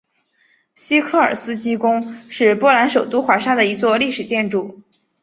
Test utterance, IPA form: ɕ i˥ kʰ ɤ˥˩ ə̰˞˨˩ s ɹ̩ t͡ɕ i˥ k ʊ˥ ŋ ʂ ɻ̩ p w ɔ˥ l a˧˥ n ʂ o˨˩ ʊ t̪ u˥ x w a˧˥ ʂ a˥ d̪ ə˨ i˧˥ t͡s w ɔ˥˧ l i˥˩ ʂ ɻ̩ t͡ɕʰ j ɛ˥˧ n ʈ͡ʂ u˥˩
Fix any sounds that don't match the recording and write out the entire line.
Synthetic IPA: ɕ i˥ kʰ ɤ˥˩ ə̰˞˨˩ s ɹ̩ t͡ɕ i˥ k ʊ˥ ŋ ʂ ɻ̩ p w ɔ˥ l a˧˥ n ʂ o˨˩ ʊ t̪ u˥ x w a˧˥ ʂ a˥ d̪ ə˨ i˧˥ t͡s w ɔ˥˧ l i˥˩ ʂ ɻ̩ t͡ɕ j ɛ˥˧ n ʈ͡ʂ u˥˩